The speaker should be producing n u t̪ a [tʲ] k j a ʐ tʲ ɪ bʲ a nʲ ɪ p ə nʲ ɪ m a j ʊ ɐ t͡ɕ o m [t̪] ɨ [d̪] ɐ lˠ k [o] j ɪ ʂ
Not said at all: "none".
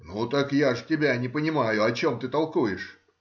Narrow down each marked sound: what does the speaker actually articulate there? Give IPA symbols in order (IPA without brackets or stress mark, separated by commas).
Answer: none, t̪, t̪, u